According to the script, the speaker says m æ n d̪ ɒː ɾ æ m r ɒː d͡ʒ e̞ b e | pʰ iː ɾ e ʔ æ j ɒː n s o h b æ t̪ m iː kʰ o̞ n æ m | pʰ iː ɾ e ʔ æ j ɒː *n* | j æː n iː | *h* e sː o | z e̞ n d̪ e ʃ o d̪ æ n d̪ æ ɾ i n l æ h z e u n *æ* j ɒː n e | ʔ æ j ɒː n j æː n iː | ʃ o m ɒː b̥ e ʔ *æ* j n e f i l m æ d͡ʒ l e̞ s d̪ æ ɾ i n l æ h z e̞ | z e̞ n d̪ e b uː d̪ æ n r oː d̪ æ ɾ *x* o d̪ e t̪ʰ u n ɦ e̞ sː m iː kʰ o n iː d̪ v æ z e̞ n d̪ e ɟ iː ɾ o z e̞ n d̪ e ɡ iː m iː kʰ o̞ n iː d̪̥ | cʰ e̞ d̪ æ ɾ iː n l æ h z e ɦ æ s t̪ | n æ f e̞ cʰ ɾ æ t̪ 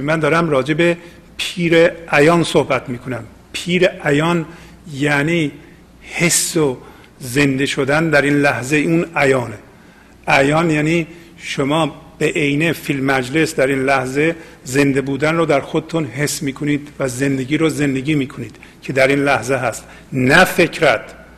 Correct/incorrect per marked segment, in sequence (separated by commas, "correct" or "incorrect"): correct, correct, correct, incorrect, correct